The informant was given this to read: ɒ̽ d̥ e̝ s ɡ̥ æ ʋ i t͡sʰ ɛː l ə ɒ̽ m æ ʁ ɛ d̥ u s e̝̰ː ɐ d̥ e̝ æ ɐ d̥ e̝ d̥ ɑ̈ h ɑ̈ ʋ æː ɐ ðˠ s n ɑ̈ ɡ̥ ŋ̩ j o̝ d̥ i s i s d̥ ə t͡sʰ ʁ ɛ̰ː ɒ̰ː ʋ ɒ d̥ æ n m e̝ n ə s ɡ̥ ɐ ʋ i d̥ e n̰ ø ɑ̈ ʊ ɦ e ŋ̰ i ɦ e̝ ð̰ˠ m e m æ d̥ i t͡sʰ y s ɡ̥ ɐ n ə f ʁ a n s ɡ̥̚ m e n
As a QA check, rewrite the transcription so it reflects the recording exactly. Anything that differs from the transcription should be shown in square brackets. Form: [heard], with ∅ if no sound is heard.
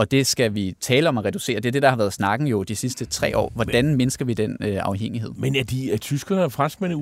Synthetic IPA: ɒ̽ d̥ e̝ s ɡ̥ æ ʋ i t͡sʰ ɛː l ə ɒ̽ m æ ʁ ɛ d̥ u s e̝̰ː ɐ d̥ e̝ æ ɐ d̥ e̝ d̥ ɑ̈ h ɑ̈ ʋ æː ɐ ðˠ s n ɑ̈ ɡ̥ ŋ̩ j o̝ d̥ i s i s d̥ ə t͡sʰ ʁ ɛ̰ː ɒ̰ː ʋ ɒ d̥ æ n m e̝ n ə s ɡ̥ ɐ ʋ i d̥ e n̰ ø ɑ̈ ʊ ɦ e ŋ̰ i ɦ e̝ ð̰ˠ m e [n] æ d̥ i t͡sʰ y s ɡ̥ ɐ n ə f ʁ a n s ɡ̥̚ m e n